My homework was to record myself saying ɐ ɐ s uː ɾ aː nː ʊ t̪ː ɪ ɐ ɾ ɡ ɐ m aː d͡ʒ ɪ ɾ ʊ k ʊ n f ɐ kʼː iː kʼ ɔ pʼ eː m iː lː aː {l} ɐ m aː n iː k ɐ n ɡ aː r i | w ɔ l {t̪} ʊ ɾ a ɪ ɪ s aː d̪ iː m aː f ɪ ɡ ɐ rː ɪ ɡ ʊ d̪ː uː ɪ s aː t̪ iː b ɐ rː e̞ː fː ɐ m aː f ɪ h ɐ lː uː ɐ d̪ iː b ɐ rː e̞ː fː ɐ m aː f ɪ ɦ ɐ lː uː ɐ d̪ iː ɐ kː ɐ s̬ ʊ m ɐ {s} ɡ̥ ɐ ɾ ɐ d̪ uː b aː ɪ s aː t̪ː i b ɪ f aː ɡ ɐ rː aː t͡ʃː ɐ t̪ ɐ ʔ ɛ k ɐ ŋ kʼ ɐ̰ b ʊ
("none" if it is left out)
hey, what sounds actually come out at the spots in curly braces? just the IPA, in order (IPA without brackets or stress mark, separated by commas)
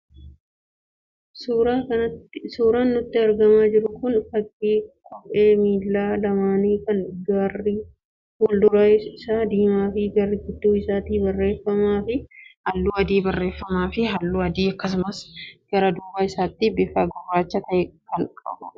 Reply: l, d̪, s